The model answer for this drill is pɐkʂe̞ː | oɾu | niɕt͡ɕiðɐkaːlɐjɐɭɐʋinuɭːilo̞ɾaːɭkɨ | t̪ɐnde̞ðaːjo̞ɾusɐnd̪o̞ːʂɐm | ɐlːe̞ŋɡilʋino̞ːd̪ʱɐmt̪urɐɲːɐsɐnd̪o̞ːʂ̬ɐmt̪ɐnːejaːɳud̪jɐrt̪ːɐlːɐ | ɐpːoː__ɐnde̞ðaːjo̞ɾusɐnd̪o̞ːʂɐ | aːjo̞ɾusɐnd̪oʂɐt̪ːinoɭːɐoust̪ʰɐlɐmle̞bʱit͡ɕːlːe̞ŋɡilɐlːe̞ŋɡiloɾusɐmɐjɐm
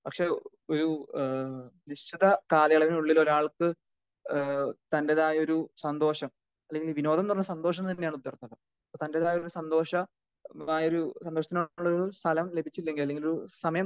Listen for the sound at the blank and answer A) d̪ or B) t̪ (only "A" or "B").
B